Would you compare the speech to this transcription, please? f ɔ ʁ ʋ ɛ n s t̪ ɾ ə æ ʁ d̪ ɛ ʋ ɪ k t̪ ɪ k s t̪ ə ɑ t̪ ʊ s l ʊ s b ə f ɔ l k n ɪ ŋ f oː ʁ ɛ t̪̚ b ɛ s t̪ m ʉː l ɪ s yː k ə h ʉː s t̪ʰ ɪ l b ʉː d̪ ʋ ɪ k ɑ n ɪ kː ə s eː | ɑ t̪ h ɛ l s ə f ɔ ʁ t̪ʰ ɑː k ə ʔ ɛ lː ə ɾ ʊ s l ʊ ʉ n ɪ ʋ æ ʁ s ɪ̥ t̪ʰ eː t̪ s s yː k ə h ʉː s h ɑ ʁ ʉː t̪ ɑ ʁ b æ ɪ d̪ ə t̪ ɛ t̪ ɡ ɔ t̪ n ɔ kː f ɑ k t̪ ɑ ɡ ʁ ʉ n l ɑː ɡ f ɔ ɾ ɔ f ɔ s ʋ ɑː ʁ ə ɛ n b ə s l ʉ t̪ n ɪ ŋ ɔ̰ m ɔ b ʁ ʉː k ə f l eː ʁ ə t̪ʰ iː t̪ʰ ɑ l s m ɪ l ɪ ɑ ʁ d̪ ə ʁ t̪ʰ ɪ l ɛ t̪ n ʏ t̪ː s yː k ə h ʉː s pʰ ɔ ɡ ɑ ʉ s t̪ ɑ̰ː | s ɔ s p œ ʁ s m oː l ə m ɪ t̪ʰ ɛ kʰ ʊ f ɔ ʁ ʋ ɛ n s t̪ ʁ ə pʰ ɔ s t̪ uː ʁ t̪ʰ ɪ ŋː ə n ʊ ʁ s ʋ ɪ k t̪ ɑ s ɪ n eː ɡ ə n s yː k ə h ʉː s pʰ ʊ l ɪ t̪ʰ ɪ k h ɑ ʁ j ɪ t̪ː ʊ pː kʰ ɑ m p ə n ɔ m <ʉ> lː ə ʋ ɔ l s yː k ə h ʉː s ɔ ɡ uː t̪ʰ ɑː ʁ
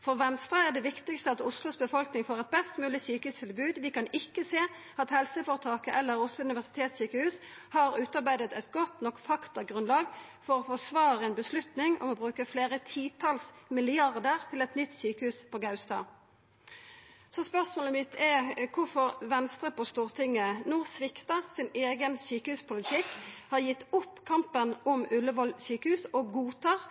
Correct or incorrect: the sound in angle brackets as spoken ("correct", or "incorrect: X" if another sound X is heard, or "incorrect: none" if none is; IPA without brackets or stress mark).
correct